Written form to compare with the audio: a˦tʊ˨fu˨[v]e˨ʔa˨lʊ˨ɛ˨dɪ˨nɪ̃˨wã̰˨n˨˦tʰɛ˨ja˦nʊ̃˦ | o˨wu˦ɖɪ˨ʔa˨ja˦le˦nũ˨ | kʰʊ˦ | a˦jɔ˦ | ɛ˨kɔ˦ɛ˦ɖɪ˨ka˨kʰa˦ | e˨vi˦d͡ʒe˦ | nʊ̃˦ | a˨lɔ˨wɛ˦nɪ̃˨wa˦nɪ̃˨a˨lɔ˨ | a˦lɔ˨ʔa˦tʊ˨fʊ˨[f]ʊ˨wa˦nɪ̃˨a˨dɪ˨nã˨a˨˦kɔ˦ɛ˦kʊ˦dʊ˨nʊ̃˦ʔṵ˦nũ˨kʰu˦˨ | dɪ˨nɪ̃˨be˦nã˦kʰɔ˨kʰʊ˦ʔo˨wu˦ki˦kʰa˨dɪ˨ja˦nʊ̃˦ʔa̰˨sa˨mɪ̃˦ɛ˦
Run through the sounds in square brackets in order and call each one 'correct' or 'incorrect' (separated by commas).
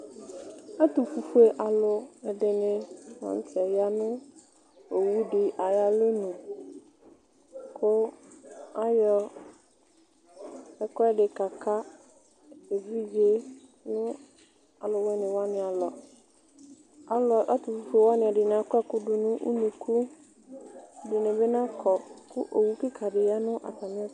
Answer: incorrect, correct